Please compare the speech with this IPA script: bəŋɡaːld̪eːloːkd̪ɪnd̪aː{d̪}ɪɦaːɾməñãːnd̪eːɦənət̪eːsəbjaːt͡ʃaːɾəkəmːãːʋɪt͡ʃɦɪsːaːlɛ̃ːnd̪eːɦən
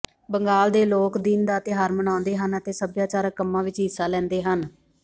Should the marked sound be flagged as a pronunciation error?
yes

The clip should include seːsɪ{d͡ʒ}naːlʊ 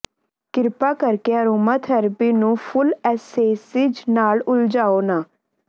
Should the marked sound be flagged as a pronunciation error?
no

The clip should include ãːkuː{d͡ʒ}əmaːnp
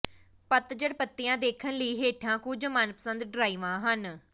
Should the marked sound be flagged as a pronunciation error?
no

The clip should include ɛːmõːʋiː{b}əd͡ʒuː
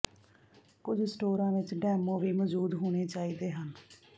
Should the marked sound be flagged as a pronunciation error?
yes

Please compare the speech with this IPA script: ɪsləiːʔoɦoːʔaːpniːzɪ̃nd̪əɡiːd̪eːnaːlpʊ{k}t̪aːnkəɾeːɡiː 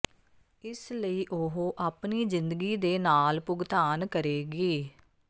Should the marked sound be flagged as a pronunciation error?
yes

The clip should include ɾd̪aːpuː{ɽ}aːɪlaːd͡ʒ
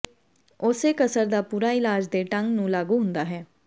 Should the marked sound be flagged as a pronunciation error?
yes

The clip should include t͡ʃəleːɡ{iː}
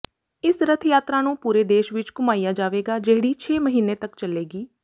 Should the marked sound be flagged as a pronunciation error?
no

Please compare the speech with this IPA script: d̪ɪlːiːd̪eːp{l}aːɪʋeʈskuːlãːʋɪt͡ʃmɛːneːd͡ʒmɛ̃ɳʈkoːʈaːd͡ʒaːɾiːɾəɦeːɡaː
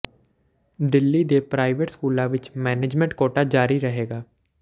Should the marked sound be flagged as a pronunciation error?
yes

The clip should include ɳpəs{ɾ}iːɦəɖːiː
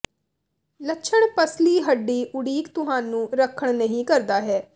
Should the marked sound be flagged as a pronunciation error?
yes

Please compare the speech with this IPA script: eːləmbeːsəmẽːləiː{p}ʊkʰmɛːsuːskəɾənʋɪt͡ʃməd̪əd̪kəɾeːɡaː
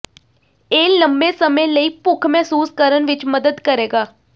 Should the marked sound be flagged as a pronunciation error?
no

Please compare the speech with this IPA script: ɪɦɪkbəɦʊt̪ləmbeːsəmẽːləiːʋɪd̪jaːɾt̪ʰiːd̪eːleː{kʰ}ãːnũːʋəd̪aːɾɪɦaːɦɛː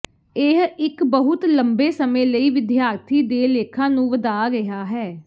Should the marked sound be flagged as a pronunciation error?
no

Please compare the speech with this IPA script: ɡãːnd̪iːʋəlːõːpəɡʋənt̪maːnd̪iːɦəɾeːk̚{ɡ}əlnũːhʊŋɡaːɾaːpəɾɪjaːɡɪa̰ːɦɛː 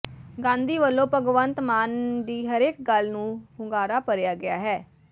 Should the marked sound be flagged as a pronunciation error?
no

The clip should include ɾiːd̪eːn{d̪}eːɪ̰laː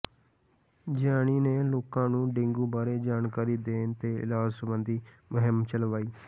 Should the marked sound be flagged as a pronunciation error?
yes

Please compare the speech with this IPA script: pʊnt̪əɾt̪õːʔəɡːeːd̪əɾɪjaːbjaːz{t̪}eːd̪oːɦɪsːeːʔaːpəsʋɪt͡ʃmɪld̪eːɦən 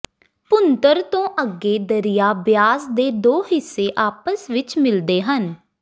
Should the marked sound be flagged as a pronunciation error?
yes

